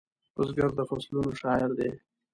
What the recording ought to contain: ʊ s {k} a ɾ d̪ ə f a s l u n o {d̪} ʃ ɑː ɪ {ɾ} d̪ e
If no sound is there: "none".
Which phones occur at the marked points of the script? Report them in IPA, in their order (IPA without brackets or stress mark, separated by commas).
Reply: ɡ, none, ɾ